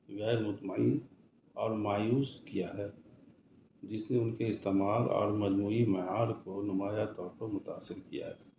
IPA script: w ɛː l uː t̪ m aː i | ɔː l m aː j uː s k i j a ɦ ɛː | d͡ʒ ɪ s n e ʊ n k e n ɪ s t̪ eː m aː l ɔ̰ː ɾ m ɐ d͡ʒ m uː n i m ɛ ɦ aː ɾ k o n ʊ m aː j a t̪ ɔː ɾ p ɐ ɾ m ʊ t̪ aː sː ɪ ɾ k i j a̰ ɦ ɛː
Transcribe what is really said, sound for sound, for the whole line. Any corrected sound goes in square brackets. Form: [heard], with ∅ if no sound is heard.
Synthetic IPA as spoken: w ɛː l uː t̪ m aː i | ɔː [ɾ] m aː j uː s k i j a ɦ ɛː | d͡ʒ ɪ s n e ʊ n k e [∅] ɪ s t̪ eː m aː l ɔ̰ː ɾ m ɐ d͡ʒ m uː [∅] i m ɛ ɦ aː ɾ k o n ʊ m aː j a t̪ ɔː ɾ p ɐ ɾ m ʊ t̪ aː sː ɪ ɾ k i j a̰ ɦ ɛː